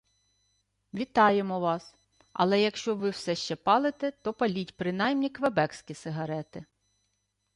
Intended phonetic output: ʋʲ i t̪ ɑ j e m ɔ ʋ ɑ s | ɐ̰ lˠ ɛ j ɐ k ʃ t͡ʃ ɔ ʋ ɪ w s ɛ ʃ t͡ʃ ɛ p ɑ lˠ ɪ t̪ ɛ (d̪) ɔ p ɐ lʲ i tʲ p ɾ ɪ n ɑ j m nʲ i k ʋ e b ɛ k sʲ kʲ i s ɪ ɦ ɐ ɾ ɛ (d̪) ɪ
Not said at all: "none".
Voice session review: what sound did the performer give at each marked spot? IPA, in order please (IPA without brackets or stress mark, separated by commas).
t̪, t̪